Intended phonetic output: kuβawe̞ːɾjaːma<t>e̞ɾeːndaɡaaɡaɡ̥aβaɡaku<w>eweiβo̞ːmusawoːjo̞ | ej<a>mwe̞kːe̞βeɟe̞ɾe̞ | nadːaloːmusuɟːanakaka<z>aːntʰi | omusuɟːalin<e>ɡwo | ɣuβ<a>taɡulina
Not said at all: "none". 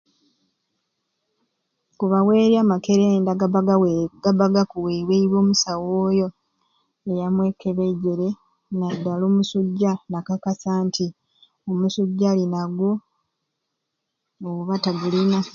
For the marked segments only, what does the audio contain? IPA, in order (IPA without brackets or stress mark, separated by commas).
k, w, a, s, a, a